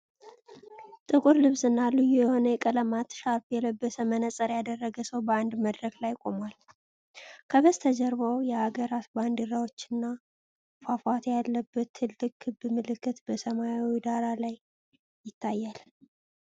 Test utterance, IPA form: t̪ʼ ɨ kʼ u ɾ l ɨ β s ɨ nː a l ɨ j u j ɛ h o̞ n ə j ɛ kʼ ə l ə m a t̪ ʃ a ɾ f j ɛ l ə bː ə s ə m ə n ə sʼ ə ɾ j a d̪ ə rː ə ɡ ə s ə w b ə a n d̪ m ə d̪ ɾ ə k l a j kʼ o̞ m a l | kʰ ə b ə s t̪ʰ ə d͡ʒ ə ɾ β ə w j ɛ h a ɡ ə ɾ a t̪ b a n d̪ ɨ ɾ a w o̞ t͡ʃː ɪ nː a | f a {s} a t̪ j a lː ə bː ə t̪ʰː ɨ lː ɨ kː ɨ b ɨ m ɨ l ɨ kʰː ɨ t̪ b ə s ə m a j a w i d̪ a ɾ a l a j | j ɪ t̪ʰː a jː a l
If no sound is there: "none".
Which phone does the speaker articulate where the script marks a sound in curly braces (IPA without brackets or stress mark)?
f